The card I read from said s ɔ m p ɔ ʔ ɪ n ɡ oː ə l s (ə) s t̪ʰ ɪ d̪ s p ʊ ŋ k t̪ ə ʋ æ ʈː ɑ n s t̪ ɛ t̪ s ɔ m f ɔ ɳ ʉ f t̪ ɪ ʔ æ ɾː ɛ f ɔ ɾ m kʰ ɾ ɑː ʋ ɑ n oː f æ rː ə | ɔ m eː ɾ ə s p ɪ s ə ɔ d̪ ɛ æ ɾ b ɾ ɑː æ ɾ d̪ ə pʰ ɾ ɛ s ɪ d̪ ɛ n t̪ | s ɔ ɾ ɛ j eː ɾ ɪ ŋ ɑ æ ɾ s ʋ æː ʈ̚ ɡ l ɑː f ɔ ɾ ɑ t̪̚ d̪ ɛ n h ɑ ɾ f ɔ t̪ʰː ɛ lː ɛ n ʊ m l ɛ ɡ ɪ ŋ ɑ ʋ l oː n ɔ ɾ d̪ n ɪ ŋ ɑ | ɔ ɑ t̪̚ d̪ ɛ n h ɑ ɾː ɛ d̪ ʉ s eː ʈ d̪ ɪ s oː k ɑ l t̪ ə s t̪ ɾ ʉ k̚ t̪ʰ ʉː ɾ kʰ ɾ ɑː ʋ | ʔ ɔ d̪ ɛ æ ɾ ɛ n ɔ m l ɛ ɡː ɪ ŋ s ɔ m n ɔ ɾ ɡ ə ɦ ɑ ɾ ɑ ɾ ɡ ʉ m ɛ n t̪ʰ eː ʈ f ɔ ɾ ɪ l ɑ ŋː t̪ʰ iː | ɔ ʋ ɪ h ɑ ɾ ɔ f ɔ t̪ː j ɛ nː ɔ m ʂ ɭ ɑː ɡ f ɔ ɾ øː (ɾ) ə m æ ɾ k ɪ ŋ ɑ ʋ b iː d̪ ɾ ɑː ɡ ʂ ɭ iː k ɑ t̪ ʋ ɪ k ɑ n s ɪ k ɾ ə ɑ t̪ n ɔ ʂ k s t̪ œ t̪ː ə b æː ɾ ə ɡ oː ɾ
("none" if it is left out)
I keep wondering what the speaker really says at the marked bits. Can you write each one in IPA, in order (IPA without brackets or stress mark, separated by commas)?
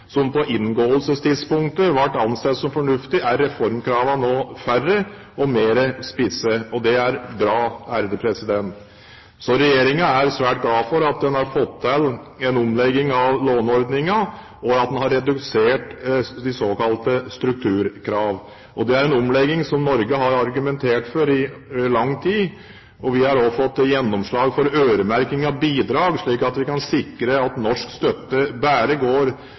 ə, ɾ